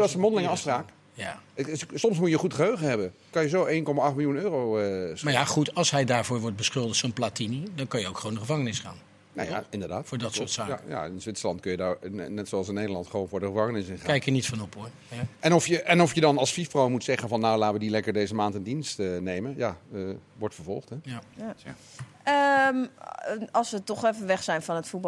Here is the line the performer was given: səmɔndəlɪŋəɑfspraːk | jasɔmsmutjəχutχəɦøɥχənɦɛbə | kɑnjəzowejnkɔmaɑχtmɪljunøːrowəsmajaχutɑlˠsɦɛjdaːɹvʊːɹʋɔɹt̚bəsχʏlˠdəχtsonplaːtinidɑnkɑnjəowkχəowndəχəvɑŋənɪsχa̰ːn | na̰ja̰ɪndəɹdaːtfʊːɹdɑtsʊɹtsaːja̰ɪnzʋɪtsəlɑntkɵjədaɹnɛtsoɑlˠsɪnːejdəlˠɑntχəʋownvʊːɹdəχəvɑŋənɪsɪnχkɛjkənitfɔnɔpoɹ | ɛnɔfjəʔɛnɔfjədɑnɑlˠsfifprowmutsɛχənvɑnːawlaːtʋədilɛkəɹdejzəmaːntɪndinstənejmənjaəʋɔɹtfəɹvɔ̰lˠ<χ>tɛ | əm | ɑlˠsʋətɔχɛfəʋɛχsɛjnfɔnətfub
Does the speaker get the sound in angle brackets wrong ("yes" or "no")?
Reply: no